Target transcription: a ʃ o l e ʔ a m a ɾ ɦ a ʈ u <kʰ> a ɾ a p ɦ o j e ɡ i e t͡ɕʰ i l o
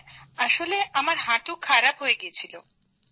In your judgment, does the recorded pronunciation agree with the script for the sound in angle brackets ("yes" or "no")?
yes